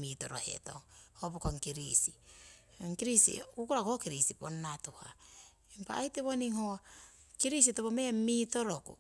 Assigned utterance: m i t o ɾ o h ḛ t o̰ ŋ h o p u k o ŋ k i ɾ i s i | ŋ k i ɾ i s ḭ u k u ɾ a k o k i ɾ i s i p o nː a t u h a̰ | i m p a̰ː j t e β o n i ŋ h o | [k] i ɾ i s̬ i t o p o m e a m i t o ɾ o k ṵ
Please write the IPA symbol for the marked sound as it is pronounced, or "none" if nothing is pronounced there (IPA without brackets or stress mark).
k